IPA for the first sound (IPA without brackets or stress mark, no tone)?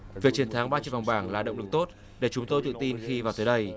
v